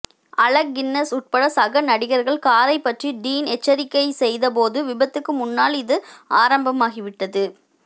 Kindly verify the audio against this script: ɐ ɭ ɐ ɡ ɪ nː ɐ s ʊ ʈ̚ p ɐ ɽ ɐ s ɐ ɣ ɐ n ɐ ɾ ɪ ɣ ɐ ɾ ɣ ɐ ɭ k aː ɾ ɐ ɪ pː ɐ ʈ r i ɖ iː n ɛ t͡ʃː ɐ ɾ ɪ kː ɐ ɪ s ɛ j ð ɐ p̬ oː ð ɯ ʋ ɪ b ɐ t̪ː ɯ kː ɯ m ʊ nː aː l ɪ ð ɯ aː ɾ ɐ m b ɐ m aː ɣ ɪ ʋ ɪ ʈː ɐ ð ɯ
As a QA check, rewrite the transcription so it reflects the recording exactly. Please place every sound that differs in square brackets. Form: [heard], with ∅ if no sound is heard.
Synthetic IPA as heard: ɐ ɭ ɐ ɡ ɪ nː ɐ s ʊ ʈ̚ p ɐ ɽ ɐ s ɐ ɣ ɐ n ɐ [ɽ] ɪ ɣ ɐ ɾ ɣ ɐ ɭ k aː ɾ ɐ ɪ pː ɐ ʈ r i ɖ iː n ɛ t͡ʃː ɐ ɾ ɪ kː ɐ ɪ s ɛ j ð ɐ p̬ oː ð ɯ ʋ ɪ b ɐ t̪ː ɯ kː ɯ m ʊ nː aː l ɪ ð ɯ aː ɾ ɐ m b ɐ m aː ɣ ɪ ʋ ɪ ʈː ɐ ð ɯ